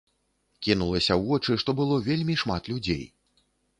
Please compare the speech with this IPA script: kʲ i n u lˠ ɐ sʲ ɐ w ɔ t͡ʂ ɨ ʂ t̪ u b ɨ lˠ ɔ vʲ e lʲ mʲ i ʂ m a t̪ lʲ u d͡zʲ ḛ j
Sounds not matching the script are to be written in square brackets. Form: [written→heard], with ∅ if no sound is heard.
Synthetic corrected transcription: kʲ i n u lˠ ɐ sʲ ɐ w ɔ t͡ʂ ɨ ʂ t̪ [u→ɔ] b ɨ lˠ ɔ vʲ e lʲ mʲ i ʂ m a t̪ lʲ u d͡zʲ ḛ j

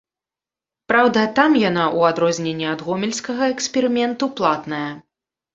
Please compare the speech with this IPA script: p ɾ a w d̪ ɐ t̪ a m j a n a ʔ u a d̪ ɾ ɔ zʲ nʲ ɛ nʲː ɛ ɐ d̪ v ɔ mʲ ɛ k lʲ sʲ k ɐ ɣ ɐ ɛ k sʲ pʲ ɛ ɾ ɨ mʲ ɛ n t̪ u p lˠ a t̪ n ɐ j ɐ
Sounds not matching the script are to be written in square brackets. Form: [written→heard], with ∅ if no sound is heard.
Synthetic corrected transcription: p ɾ a w d̪ ɐ t̪ a m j a n a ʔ u a d̪ ɾ ɔ zʲ nʲ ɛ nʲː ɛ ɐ d̪ [v→ɣ] ɔ mʲ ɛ [k→∅] lʲ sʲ k ɐ ɣ ɐ ɛ k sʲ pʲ ɛ ɾ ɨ mʲ ɛ n t̪ u p lˠ a t̪ n ɐ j ɐ

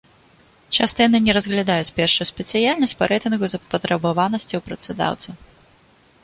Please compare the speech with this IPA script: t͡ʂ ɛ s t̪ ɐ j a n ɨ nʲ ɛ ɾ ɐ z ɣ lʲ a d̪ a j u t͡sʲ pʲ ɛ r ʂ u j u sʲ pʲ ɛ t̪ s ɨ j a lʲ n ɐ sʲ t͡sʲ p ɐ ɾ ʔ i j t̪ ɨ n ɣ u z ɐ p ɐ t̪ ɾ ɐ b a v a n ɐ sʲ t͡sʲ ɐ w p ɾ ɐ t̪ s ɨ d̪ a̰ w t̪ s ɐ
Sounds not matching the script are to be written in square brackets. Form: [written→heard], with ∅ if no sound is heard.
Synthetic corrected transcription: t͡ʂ [ɛ→a] s t̪ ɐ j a n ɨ nʲ ɛ ɾ ɐ z ɣ lʲ a d̪ a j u t͡sʲ pʲ ɛ r ʂ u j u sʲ pʲ ɛ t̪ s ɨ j a lʲ n ɐ sʲ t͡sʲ p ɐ ɾ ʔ [i→ɛ] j t̪ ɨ n ɣ u z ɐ p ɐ t̪ ɾ ɐ b a v a n ɐ sʲ t͡sʲ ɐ w p ɾ ɐ t̪ s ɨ d̪ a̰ w t̪ s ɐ

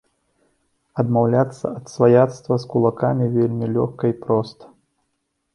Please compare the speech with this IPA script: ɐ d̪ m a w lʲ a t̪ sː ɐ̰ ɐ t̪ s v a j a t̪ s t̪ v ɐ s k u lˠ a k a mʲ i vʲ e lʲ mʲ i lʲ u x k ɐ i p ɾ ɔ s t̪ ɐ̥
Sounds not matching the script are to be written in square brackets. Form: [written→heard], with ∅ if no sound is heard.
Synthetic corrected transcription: ɐ d̪ m a w lʲ a t̪ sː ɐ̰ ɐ t̪ s v a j a t̪ s t̪ v ɐ s k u lˠ a k a mʲ i vʲ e lʲ mʲ i lʲ [u→ɔ] x k ɐ i p ɾ ɔ s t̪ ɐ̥

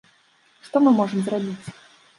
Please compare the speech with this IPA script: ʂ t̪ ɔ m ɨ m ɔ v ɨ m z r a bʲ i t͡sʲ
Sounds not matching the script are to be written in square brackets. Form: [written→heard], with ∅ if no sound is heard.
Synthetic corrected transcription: ʂ t̪ ɔ m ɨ m ɔ [v→ʐ] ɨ m z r a bʲ i t͡sʲ

